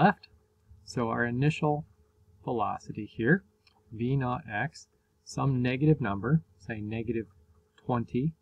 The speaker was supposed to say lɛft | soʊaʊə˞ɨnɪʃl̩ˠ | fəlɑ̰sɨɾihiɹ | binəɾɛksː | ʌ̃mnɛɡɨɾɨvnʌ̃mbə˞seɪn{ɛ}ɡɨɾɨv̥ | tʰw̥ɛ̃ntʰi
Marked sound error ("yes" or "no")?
no